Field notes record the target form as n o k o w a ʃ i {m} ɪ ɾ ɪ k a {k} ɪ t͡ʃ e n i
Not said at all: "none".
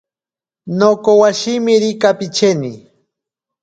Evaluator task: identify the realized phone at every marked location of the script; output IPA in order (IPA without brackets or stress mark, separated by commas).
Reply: m, p